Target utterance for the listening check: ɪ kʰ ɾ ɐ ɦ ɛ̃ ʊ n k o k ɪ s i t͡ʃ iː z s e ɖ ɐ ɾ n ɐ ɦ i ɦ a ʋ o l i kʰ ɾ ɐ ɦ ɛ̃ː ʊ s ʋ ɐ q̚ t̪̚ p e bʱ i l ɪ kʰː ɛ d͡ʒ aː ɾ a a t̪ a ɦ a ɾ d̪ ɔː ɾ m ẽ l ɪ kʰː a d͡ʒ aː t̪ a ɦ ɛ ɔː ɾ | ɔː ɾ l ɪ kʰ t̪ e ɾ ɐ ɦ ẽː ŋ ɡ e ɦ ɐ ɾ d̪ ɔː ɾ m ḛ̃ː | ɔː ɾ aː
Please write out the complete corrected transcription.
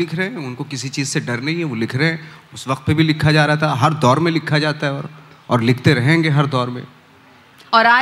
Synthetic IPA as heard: ɪ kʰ ɾ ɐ ɦ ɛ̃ ʊ n k o k ɪ s i t͡ʃ iː z s e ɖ ɐ ɾ n ɐ ɦ ĩ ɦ ɛ ʋ o l ɪ kʰ ɾ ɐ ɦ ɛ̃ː ʊ s ʋ ɐ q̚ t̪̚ p e bʱ i l ɪ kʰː a d͡ʒ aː ɾ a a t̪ a ɦ ɐ ɾ d̪ ɔː ɾ m ẽ l ɪ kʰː a d͡ʒ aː t̪ a ɦ ɛ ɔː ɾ | ɔː ɾ l ɪ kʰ t̪ e ɾ ɐ ɦ ẽː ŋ ɡ e ɦ ɐ ɾ d̪ ɔː ɾ m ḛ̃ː | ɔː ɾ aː